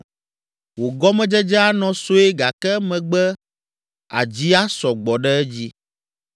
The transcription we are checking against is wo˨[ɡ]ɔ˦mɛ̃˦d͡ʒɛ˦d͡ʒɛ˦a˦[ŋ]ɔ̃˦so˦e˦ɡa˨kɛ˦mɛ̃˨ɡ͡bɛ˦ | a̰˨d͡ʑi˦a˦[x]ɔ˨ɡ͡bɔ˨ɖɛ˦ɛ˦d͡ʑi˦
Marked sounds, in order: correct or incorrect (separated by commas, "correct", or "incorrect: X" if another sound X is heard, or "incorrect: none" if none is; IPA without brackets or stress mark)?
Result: correct, incorrect: n, incorrect: s